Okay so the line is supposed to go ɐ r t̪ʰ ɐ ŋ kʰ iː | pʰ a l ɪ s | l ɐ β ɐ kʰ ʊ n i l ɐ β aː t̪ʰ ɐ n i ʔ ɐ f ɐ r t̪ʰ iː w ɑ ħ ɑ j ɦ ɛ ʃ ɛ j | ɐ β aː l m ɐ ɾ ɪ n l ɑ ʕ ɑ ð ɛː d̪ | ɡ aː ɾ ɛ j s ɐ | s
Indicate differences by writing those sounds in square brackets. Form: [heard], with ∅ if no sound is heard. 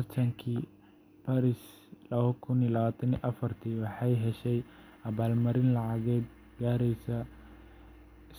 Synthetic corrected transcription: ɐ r t̪ʰ ɐ ŋ kʰ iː | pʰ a [ɾ] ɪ s | l ɐ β ɐ kʰ ʊ n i l ɐ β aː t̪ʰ ɐ n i ʔ ɐ f ɐ r t̪ʰ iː w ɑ ħ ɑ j ɦ ɛ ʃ ɛ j | ɐ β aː l m ɐ ɾ ɪ n l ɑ ʕ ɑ [ɣ] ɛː d̪ | ɡ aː ɾ ɛ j s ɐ | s